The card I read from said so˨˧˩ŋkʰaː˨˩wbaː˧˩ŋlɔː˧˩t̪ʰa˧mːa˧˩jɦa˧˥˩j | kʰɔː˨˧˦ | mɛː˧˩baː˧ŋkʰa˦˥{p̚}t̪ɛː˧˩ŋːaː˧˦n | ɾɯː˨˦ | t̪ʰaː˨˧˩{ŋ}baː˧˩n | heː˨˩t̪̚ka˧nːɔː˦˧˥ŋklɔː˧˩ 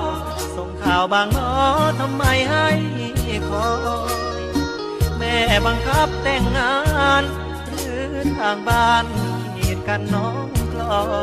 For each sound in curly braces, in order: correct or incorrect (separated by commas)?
correct, correct